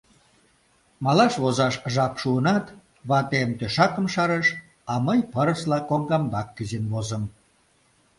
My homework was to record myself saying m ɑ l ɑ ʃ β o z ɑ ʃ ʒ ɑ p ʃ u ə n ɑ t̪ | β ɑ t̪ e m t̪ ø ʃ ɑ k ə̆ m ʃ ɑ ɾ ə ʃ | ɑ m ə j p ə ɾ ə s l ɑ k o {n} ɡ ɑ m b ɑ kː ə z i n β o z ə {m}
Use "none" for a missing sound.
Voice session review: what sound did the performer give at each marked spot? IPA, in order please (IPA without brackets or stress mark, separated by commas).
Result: ŋ, m